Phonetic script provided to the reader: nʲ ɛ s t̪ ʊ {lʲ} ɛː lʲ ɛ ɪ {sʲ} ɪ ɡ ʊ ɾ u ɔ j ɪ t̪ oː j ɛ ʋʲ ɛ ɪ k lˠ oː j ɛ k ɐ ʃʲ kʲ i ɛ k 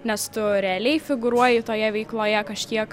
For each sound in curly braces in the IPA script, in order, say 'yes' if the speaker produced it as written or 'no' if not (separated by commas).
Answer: no, no